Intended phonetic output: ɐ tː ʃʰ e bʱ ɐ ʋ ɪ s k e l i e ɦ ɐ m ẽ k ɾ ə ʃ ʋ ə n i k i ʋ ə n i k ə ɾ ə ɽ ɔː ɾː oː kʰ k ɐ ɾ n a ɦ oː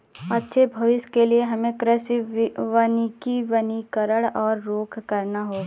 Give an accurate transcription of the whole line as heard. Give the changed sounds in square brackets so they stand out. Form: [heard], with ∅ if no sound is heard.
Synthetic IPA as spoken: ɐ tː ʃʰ e bʱ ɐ ʋ ɪ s k e l i e ɦ ɐ m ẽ k ɾ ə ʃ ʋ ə n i k i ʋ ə n i k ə ɾ ə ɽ ɔː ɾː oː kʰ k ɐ ɾ n a ɦ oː